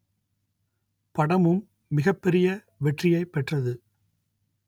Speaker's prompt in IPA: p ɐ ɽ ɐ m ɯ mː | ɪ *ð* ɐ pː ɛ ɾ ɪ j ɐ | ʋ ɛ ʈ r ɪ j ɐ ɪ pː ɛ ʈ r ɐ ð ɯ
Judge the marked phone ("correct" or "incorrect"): incorrect